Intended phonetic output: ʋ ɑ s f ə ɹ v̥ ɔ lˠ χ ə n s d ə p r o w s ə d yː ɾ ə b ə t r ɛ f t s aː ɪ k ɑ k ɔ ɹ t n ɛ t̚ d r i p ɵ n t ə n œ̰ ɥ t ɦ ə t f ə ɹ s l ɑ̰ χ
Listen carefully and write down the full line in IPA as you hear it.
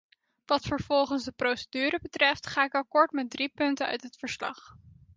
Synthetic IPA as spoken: ʋ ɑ t f ə ɹ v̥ ɔ lˠ χ ə n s d ə p r o w s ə d yː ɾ ə b ə t r ɛ f t χ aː ɪ k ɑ k ɔ ɹ t m ɛ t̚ d r i p ɵ n t ə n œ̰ ɥ t ɦ ə t f ə ɹ s l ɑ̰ χ